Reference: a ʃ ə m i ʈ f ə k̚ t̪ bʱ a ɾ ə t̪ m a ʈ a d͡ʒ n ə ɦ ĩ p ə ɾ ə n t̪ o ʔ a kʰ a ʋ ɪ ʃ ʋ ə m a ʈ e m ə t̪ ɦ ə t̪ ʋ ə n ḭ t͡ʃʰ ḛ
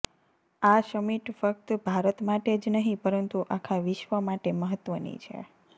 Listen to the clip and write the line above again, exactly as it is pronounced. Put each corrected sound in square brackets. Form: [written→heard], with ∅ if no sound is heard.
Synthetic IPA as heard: a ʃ ə m i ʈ f ə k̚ t̪ bʱ a ɾ ə t̪ m a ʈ [a→e] d͡ʒ n ə ɦ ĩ p ə ɾ ə n t̪ [o→u] ʔ a kʰ a ʋ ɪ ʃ ʋ ə m a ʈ e m ə [t̪→∅] ɦ ə t̪ ʋ ə n ḭ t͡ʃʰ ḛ